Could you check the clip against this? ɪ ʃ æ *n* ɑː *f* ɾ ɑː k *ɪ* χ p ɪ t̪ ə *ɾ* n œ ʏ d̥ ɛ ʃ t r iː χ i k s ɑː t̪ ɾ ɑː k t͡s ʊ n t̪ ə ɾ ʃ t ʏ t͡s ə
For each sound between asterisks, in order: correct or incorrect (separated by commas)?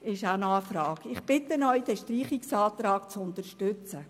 correct, correct, correct, incorrect